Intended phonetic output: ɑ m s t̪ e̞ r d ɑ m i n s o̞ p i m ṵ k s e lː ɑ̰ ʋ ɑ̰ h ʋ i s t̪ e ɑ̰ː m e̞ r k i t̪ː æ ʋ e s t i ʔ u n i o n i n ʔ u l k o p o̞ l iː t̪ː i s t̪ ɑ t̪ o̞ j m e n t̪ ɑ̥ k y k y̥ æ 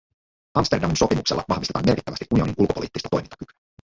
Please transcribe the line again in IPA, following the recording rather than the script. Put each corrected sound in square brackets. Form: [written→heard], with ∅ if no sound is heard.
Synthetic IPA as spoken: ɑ m s t̪ e̞ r d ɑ m i n s o̞ p i m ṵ k s e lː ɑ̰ ʋ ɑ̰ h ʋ i s t̪ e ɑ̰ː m e̞ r k i t̪ː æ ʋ [e→æ] s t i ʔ u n i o n i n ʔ u l k o p o̞ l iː t̪ː i s t̪ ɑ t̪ o̞ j m [e→i] n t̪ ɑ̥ k y k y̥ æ